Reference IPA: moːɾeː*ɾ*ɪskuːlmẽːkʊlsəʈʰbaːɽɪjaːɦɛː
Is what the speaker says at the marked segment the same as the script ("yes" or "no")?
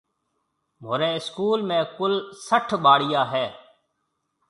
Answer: no